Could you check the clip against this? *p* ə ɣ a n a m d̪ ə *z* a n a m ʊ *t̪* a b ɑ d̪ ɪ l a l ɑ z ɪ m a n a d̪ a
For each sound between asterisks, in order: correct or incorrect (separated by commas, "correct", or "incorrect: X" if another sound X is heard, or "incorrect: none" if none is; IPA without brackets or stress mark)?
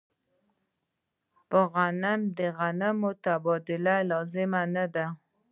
correct, incorrect: ɣ, correct